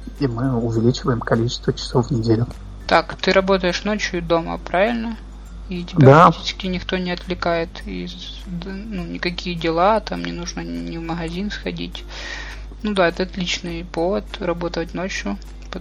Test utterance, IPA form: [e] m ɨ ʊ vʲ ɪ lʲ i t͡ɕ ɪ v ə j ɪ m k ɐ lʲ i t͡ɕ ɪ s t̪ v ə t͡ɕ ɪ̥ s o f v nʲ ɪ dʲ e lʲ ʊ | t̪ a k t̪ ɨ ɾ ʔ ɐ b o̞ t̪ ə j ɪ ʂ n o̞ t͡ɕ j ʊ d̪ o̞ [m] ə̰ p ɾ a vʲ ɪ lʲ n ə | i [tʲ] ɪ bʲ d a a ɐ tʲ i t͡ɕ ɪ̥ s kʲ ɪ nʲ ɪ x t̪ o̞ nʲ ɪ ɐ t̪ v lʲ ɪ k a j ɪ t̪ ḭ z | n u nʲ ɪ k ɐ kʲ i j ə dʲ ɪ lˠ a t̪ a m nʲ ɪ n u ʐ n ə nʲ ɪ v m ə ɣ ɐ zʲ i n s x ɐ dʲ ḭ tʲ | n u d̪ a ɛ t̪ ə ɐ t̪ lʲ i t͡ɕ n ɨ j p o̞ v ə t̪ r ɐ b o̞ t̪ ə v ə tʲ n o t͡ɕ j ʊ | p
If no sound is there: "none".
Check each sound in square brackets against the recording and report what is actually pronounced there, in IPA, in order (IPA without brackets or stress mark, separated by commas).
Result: i, m, tʲ